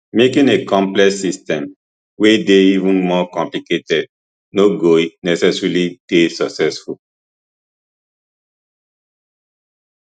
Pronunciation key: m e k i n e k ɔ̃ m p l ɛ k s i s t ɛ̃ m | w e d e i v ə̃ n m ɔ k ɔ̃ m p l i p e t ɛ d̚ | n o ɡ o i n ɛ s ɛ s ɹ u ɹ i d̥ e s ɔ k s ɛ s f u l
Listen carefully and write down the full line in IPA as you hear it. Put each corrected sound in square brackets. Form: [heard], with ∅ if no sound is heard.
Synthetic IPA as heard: m e k [ĩ] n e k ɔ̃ m p l ɛ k s i s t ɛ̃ m | w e d e i v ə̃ n m ɔ k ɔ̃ m p l i [k] e t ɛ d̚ | n o ɡ o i n ɛ s ɛ s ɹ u [l] i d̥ e s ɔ k s ɛ s f u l